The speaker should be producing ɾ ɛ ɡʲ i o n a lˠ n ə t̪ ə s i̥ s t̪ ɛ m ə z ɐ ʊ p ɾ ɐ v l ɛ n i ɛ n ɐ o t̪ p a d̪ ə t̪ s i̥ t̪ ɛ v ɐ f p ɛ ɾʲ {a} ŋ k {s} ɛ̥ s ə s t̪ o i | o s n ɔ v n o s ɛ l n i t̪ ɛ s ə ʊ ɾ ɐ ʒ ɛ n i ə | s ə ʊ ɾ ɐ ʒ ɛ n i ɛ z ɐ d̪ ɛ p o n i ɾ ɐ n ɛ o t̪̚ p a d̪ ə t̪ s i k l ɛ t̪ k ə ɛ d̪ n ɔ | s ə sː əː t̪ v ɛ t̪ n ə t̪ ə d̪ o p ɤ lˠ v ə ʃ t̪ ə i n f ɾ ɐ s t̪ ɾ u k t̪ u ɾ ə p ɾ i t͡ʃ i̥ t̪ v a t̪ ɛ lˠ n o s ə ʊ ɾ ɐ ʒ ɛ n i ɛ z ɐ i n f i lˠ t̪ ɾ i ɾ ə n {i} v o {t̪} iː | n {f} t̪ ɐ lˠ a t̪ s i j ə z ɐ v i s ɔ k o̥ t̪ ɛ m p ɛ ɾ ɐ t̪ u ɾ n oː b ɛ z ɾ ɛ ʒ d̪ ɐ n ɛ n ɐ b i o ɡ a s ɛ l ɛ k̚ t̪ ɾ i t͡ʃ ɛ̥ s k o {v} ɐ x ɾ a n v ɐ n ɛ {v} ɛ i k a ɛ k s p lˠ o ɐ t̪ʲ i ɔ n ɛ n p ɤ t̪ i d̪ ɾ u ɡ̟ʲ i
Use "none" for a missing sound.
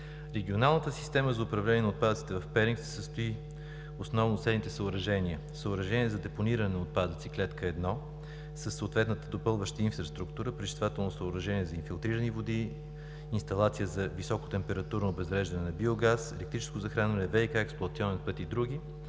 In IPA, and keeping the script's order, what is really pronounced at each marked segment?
i, s, i, d̪, s, z, v

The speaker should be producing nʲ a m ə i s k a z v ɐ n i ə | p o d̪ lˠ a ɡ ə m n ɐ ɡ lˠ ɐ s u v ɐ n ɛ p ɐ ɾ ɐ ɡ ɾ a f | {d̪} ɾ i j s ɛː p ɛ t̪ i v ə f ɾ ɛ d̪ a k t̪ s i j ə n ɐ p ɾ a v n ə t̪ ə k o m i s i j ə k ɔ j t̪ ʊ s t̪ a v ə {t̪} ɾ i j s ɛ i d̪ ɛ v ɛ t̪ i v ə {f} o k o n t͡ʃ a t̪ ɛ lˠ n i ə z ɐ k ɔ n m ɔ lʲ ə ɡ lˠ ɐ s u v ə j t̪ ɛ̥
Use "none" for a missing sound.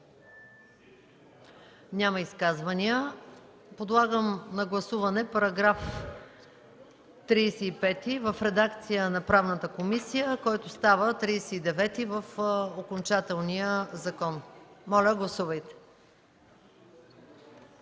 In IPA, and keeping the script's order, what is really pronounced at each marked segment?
t̪, t̪, f

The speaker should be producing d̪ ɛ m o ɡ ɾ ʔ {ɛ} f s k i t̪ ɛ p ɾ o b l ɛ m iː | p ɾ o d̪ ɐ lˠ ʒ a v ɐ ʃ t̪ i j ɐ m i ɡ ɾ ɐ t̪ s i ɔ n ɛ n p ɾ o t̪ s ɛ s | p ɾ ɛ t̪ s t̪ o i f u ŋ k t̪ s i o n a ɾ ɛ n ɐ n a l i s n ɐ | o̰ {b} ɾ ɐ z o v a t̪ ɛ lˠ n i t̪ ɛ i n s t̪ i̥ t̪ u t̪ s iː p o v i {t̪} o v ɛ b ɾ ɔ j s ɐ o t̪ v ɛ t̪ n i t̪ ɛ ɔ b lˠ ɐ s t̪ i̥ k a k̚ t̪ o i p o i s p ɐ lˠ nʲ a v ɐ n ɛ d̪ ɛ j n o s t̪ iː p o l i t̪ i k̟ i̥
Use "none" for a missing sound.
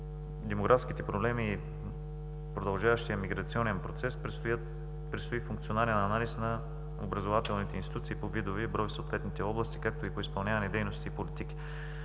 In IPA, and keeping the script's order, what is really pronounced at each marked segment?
a, b, d̪

